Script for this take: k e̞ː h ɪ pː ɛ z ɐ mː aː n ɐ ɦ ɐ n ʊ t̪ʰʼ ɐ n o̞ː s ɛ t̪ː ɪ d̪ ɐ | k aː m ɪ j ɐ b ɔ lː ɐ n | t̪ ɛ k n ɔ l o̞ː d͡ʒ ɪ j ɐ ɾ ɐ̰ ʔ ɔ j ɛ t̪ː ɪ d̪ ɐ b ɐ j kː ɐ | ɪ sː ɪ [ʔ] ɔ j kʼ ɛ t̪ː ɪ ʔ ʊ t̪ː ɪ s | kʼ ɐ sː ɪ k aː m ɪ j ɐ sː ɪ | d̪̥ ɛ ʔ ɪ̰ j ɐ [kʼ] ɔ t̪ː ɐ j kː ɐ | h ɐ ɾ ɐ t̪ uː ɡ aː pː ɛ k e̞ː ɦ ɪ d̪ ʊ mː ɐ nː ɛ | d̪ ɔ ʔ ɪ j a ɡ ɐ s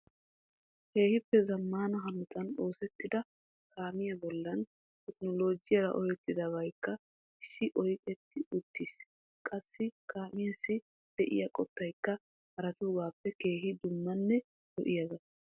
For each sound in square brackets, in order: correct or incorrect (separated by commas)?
correct, correct